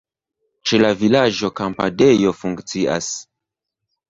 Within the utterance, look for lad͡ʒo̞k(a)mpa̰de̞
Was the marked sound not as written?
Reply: no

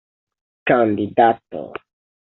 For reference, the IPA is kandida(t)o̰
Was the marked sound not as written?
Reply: no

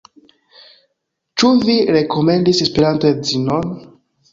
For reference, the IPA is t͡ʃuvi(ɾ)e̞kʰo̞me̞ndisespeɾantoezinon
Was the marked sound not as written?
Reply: no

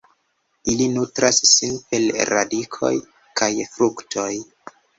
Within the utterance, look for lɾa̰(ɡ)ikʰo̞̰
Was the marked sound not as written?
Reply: yes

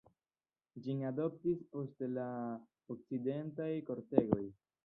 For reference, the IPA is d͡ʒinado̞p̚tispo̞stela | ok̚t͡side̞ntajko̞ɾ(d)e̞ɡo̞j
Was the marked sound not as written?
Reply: yes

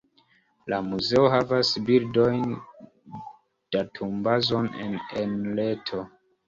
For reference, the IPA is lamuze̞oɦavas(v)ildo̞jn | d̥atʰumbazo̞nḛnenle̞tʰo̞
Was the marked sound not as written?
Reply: yes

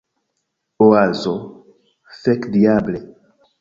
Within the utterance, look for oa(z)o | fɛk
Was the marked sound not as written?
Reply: no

